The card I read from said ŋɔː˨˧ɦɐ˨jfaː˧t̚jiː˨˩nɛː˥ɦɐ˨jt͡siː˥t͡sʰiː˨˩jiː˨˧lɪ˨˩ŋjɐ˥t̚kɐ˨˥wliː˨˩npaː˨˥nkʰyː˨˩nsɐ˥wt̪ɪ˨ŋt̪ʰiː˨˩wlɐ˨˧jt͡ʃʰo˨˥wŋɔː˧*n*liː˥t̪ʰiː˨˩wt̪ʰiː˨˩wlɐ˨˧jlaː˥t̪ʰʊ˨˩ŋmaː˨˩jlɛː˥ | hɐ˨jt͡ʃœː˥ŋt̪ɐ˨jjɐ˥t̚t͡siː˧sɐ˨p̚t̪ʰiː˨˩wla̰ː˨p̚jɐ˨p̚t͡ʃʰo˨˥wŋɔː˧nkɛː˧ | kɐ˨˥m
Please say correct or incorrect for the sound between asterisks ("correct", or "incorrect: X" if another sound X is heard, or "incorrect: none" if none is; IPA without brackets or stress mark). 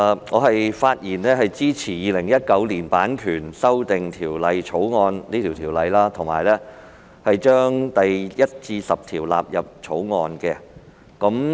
correct